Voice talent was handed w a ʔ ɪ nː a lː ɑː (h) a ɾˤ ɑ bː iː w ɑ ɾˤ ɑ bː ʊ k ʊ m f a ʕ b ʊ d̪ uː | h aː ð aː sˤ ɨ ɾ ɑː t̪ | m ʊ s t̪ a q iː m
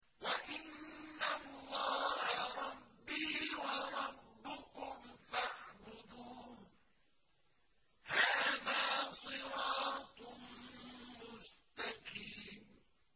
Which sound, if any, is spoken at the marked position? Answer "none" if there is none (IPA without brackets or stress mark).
h